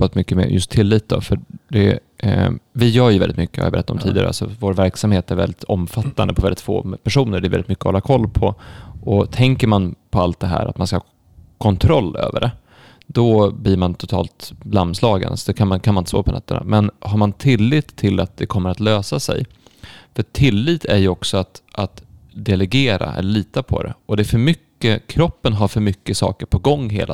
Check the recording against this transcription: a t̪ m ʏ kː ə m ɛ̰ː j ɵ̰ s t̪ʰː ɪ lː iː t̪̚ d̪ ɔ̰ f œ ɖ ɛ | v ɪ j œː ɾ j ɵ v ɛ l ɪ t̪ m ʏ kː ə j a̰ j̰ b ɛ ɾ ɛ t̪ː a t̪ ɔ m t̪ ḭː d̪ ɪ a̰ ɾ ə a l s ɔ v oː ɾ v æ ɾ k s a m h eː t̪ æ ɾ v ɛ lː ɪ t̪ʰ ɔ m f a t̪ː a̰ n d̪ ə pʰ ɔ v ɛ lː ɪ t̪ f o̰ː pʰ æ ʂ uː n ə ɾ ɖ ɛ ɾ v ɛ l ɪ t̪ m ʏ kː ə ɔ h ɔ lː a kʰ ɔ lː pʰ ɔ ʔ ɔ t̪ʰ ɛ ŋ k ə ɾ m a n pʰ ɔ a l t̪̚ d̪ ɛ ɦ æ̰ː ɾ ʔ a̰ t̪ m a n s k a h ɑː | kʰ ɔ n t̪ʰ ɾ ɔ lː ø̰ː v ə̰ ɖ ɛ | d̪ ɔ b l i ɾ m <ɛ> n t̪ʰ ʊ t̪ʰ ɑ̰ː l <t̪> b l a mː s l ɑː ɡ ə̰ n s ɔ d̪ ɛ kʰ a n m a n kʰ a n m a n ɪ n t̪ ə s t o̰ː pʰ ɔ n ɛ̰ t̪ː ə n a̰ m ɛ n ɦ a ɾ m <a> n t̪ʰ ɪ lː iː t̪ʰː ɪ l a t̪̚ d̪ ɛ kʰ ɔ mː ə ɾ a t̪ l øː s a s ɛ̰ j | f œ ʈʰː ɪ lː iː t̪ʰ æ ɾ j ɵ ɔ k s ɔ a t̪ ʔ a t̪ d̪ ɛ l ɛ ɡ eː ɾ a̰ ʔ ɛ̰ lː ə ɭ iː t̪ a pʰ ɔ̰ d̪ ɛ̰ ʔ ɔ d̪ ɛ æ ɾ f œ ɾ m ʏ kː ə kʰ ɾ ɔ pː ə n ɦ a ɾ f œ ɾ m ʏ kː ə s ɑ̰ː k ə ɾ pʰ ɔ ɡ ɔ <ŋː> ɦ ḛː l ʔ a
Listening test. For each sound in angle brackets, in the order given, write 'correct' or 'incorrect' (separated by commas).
incorrect, correct, correct, correct